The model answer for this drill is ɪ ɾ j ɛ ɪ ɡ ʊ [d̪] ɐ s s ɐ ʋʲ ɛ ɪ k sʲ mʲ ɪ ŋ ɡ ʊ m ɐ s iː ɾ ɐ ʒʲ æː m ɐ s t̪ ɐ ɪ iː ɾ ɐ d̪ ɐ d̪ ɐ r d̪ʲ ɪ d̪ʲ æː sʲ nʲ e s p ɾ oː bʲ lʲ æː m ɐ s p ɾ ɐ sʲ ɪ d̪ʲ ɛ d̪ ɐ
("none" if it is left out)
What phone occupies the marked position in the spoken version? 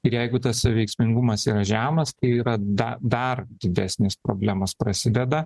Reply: t̪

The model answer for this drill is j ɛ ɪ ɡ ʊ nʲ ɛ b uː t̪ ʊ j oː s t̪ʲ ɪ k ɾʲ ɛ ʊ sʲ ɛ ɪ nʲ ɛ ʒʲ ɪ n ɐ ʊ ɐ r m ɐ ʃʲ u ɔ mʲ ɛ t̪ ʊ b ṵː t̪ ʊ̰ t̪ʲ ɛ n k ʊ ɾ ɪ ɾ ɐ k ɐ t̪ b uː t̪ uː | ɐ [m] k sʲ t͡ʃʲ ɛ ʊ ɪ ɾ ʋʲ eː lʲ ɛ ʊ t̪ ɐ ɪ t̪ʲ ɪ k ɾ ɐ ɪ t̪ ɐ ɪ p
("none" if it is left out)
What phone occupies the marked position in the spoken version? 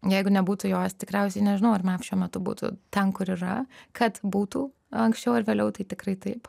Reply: ŋ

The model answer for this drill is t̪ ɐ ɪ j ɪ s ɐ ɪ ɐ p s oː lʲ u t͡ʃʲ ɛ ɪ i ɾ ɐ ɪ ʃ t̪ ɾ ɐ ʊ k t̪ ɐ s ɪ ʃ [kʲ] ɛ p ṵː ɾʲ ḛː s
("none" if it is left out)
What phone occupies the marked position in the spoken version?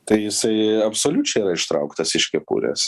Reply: kʲ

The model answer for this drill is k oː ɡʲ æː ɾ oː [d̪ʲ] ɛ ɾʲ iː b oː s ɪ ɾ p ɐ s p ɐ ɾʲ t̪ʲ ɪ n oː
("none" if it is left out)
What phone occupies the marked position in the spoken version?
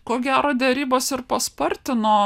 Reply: d̪ʲ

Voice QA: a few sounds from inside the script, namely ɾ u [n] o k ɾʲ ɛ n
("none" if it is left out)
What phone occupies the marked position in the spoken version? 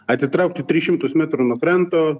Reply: n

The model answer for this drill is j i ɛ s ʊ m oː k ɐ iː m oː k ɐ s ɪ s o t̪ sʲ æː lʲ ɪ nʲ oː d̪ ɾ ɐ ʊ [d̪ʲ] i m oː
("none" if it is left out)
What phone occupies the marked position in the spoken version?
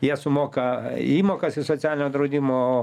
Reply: d̪ʲ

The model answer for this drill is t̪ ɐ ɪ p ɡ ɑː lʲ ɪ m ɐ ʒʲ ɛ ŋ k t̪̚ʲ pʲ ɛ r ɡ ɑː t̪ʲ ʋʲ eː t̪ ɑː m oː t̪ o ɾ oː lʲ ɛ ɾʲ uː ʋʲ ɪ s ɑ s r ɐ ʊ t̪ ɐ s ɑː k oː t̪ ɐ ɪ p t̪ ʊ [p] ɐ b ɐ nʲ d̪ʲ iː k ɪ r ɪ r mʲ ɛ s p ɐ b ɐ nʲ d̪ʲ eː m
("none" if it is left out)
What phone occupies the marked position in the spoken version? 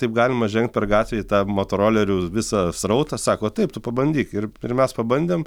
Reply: p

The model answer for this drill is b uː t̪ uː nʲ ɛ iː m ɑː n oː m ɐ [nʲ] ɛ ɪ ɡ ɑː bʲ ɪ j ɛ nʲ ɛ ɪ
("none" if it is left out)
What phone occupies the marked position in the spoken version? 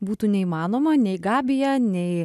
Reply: nʲ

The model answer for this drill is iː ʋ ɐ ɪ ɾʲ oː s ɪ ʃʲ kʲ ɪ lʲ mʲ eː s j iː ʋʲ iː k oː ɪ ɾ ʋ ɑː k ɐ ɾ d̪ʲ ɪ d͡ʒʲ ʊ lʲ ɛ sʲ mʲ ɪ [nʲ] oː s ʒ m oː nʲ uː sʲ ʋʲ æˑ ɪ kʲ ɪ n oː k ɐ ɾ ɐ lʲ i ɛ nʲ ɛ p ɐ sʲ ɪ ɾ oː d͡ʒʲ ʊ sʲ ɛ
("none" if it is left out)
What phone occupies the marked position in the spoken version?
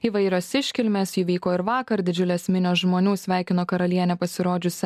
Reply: nʲ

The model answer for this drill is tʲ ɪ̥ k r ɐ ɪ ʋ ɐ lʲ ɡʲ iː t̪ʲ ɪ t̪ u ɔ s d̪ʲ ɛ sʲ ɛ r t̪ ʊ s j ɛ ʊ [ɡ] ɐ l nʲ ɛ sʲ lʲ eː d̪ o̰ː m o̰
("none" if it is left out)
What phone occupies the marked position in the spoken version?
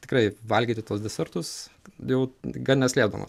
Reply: ɡ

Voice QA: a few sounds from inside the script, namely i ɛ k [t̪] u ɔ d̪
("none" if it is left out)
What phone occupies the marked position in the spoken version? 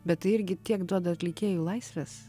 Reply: d̪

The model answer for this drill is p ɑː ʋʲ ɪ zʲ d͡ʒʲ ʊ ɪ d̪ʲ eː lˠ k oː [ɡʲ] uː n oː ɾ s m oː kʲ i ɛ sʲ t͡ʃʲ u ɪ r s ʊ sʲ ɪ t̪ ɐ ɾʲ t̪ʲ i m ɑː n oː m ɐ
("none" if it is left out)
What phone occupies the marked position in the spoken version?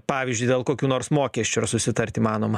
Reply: kʲ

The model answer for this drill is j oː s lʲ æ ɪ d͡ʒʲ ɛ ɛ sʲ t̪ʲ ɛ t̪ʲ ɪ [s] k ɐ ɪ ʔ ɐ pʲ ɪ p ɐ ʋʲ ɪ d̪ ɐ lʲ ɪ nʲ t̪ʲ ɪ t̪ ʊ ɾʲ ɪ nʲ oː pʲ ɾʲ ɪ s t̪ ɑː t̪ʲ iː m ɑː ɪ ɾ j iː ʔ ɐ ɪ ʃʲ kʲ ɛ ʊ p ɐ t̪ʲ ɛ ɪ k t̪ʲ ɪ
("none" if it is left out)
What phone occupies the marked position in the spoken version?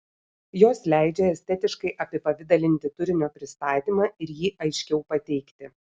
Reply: ʃ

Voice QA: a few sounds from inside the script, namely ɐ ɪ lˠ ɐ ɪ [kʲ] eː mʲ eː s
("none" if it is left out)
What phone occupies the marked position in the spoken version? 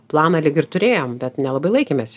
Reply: kʲ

